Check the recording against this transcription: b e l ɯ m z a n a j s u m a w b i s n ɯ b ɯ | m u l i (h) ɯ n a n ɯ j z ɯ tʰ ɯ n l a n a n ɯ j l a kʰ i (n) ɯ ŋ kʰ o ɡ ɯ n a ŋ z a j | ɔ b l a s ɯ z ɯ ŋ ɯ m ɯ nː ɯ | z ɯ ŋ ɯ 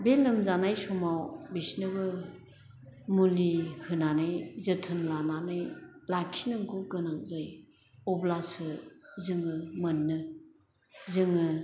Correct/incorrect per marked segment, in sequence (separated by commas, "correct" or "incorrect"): correct, correct